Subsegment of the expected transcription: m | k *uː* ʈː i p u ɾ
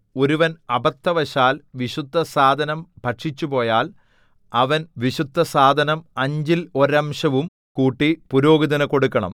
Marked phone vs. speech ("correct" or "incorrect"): correct